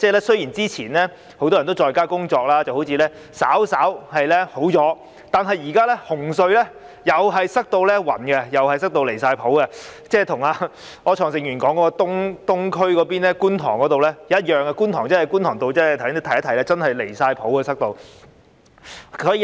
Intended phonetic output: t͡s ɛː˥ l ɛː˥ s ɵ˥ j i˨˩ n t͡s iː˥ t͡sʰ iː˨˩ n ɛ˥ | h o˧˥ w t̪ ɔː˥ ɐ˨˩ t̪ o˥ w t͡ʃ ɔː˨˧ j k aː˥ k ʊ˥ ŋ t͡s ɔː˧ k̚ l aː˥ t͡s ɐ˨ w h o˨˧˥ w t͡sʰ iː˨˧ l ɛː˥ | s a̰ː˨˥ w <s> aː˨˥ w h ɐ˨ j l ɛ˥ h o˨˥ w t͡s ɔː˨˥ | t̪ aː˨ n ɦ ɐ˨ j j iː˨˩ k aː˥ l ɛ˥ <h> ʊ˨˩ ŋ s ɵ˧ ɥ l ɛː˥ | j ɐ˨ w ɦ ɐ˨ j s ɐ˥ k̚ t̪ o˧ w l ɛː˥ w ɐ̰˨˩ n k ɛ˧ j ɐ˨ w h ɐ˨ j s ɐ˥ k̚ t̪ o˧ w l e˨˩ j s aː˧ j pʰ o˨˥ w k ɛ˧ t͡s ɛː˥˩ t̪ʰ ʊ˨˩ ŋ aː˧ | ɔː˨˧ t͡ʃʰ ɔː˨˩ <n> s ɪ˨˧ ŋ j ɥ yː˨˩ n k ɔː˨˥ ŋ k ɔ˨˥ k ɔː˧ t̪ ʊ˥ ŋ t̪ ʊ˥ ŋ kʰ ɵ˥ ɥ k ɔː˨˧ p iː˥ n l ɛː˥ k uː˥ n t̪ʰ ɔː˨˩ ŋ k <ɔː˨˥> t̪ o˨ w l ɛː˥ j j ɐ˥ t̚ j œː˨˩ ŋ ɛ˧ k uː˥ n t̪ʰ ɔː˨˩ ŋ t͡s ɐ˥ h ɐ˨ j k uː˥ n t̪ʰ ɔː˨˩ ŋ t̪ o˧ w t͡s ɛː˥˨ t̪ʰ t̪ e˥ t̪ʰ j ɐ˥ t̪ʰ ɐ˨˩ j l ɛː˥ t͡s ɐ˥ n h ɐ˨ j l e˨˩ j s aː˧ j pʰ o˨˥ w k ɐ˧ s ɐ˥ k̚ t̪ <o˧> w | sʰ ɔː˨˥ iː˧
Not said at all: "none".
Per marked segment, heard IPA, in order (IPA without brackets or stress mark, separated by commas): s, h, ŋ, ɔ˨˥, o˧